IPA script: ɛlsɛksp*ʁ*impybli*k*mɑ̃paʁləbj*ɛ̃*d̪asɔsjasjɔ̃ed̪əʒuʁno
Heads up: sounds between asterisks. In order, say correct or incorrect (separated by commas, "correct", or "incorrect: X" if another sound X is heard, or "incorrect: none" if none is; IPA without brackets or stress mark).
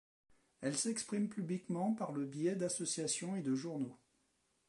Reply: incorrect: χ, correct, incorrect: ɛ